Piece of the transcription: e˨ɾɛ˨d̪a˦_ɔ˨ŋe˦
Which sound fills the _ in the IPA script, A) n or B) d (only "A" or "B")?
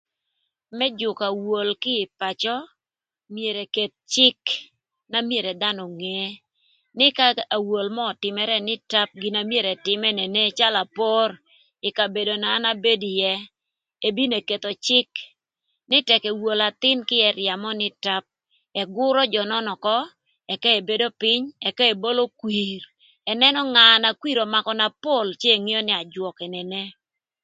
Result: A